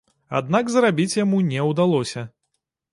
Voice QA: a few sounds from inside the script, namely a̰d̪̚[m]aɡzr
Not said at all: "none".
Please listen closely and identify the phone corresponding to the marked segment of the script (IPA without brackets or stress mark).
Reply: n